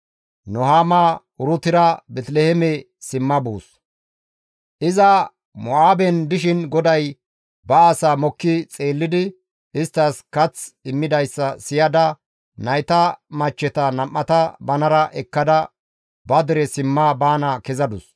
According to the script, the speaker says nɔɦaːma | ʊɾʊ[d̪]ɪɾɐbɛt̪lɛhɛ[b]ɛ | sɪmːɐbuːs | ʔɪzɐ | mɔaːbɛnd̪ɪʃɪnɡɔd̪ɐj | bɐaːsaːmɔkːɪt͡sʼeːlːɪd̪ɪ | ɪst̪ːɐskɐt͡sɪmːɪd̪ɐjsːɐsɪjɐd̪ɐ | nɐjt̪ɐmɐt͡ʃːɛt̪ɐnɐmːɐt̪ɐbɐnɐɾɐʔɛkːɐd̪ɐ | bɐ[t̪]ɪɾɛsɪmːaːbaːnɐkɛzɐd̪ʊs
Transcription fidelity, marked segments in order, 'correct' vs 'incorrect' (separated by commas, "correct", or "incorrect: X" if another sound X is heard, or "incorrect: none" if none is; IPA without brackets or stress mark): incorrect: t̪, incorrect: m, incorrect: d̪